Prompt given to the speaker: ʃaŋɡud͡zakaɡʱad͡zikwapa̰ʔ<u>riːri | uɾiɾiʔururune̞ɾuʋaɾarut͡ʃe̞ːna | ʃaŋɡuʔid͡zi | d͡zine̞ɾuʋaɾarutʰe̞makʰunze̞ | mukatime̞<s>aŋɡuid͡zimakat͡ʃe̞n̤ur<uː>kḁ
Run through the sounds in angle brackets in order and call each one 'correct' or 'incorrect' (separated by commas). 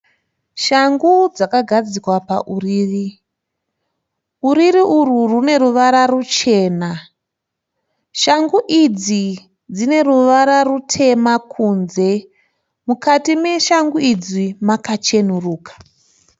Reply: correct, incorrect, correct